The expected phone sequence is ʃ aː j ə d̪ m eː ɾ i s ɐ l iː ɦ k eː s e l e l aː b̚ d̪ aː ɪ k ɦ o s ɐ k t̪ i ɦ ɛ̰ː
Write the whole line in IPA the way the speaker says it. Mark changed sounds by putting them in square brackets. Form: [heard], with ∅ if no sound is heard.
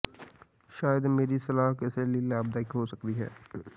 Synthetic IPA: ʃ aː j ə d̪ m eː ɾ i s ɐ l [aː] ɦ k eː s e l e l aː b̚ d̪ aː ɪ k ɦ o s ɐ k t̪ i ɦ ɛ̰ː